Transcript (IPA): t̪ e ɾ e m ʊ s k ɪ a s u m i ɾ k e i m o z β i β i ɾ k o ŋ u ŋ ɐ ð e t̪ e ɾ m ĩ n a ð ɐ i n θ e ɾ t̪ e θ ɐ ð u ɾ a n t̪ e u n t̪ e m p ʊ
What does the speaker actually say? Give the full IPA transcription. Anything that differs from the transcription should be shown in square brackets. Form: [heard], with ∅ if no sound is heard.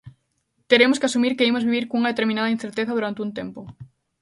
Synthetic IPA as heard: t̪ e ɾ e m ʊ s k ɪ a s u m i ɾ k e i m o z β i β i ɾ k o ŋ u ŋ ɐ ð e t̪ e ɾ m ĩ n a ð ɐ i n θ e ɾ t̪ e θ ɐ ð u ɾ a n t̪ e u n t̪ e m p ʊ

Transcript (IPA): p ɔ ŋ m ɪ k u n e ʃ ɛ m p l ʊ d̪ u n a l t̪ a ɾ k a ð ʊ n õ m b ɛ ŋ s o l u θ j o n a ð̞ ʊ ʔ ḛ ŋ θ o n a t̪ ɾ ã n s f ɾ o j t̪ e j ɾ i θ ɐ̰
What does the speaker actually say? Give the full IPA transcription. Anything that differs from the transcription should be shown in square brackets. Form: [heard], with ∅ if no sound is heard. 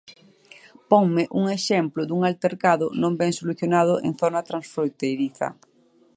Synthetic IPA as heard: p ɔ ŋ m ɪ [ʔ] u [ŋ] e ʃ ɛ m p l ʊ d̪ u [ŋ] a l t̪ [e] ɾ k a ð ʊ n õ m b ɛ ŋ s o l u θ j o n a ð̞ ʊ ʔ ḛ ŋ θ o n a t̪ ɾ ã n s f ɾ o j t̪ e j ɾ i θ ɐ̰

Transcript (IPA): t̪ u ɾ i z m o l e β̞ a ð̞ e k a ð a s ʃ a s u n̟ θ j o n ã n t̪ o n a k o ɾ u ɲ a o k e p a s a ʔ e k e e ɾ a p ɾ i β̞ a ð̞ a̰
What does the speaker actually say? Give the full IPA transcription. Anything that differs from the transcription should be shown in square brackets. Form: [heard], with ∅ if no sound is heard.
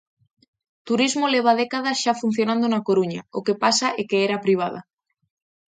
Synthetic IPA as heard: t̪ u ɾ i z m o l e β̞ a ð̞ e k a ð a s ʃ a [f] u n̟ θ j o n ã n [d̪] o n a k o ɾ u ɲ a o k e p a s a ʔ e k e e ɾ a p ɾ i β̞ a ð̞ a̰

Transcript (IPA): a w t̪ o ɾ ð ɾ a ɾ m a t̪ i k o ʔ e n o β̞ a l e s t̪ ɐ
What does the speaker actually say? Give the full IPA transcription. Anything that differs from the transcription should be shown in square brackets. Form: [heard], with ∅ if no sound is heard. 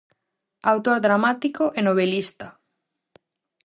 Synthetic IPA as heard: a w t̪ o ɾ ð ɾ a [∅] m a t̪ i k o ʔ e n o β̞ [e] l [i] s t̪ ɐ

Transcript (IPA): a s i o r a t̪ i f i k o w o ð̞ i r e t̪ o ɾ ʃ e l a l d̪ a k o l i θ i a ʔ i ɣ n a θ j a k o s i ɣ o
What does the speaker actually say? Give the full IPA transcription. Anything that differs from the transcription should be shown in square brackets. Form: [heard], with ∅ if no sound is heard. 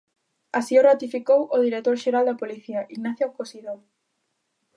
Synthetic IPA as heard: a s i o r a t̪ i f i k o w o ð̞ i [ɾ] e t̪ o ɾ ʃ e [ɾ] a l d̪ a [p] o l i θ i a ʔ i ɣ n a θ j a k o s i [ð] o

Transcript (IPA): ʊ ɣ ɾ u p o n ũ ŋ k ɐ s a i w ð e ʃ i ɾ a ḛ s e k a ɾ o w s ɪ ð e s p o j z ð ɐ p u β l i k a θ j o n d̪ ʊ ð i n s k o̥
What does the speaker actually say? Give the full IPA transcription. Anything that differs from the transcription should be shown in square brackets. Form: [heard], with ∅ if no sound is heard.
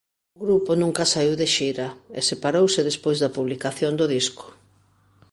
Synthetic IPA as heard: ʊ ɣ ɾ u p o n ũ ŋ k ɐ s a i w ð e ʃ i ɾ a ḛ s e [p] a ɾ o w s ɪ ð e s p o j z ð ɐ p u β l i k a θ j o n d̪ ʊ ð i [∅] s k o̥

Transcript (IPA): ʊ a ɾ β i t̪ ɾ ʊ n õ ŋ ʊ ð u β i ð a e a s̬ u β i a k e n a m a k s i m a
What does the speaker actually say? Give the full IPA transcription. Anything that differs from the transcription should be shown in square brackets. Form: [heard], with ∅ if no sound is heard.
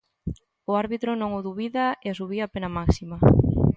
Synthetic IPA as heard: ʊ a ɾ β i t̪ ɾ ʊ n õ ŋ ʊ ð u β i ð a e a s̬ u β i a [p] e n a m a k s i m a

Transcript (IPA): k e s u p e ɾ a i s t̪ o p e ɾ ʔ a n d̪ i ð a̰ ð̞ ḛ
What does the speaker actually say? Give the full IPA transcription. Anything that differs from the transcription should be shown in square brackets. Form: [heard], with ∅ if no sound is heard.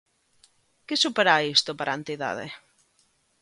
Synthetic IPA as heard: k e s u p e ɾ a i s t̪ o p [a] ɾ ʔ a n [t̪] i ð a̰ ð̞ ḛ

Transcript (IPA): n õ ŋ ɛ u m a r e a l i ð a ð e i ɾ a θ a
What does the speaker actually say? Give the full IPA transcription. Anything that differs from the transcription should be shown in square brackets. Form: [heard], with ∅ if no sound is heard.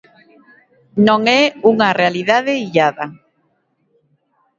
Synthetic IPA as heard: n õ ŋ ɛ u [ŋ] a r e a l i ð a ð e i [ʎ] a [ð] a

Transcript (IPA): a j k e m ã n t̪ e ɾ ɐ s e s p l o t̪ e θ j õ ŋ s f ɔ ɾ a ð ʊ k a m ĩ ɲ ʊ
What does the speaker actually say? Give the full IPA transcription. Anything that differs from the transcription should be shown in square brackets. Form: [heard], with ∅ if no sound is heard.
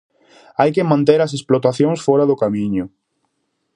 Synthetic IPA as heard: a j k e m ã n t̪ e ɾ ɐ s e s p l o t̪ [a] θ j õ ŋ s f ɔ ɾ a ð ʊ k a m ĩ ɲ ʊ

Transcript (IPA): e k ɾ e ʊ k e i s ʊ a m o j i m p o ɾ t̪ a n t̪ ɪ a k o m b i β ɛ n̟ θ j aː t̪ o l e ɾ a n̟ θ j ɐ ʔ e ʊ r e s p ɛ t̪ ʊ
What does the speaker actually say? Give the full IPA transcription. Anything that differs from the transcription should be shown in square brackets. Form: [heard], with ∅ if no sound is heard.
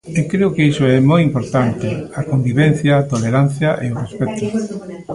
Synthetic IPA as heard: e k ɾ e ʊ k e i s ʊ [ɛ] m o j i m p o ɾ t̪ a n t̪ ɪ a k o m b i β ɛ n̟ θ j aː t̪ o l e ɾ a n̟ θ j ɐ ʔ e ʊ r e s p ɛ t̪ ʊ

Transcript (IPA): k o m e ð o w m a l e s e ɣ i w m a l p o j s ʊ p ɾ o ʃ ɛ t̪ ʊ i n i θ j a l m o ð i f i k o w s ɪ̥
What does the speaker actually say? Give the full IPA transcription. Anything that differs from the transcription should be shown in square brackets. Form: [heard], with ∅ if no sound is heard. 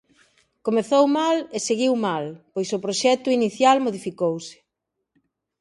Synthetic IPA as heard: k o m e [θ] o w m a l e s e ɣ i w m a l p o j s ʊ p ɾ o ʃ ɛ t̪ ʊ i n i θ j a l m o ð i f i k o w s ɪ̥

